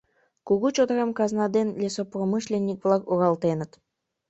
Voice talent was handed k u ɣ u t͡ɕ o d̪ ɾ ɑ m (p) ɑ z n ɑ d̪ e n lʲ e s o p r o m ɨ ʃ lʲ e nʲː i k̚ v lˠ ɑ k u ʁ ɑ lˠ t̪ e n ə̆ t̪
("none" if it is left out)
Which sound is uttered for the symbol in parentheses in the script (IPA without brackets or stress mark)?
k